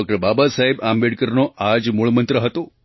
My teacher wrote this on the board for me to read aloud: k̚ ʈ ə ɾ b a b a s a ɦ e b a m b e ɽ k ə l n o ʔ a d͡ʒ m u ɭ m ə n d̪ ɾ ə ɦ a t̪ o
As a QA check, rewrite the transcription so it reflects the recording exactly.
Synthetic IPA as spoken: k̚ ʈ ə ɾ b a b a s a ɦ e b a m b e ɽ k ə ɾ n o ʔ a d͡ʒ m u ɭ m ə n t̪ ɾ ə ɦ ə t̪ o